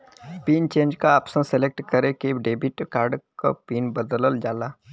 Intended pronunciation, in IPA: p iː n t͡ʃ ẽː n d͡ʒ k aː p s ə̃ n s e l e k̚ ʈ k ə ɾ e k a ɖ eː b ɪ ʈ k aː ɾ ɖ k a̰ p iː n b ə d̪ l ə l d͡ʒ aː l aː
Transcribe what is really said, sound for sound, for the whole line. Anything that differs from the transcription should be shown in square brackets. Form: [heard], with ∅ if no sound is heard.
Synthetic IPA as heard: p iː n t͡ʃ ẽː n d͡ʒ k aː p s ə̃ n s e l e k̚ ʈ k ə ɾ e k [e] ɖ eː b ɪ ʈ k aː ɾ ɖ k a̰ p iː n b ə d̪ l ə l d͡ʒ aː l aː